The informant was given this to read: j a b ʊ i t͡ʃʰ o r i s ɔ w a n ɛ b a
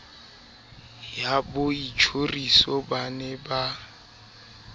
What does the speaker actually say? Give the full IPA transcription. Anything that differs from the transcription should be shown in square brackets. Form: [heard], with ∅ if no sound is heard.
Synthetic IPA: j a b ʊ i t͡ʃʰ o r i s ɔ [b] a n ɛ b a